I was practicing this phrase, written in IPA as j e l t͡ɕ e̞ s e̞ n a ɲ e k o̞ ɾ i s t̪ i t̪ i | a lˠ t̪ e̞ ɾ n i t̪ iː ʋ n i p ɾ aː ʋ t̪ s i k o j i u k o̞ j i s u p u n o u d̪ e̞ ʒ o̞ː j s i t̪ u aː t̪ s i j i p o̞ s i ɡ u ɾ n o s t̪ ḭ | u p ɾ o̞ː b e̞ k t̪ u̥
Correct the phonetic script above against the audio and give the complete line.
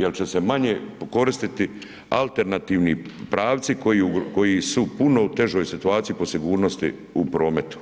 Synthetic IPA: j e l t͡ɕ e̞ s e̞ m a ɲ e k o̞ ɾ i s t̪ i t̪ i | a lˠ t̪ e̞ ɾ n a t̪ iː ʋ n i p ɾ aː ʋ t̪ s i k o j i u k o̞ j i s u p u n o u t̪ e̞ ʒ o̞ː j s i t̪ u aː t̪ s i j i p o̞ s i ɡ uː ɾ n o s t̪ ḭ | u p ɾ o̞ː m e̞ t̪ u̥